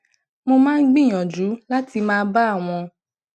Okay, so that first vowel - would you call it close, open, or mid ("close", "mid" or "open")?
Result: mid